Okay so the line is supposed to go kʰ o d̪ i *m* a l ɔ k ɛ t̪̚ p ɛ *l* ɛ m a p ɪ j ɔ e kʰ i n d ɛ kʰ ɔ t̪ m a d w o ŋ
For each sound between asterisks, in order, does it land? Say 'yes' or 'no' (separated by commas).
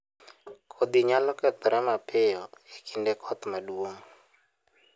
no, no